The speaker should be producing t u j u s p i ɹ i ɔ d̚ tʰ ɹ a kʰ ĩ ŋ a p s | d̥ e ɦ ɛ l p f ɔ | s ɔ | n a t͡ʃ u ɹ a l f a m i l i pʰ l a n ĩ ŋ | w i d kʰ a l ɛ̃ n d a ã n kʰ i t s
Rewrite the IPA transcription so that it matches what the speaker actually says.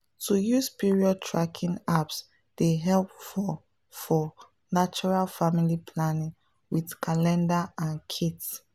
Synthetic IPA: t u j u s p i ɹ i ɔ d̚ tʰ ɹ a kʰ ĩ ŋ a p s | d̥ e ɦ ɛ l p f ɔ | f ɔ | n a t͡ʃ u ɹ a l f a m i l i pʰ l a n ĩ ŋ | w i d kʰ a l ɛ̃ n d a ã n kʰ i t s